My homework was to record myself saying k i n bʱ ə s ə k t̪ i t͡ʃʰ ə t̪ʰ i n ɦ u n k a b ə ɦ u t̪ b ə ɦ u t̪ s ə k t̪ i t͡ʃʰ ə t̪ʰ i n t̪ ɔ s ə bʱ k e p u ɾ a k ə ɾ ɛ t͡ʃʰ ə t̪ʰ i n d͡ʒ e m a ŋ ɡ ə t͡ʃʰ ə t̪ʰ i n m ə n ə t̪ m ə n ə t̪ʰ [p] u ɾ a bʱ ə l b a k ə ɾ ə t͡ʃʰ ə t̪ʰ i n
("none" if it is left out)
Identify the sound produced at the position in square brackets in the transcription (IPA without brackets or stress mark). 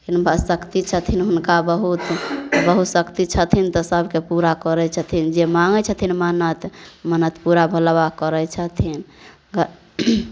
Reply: p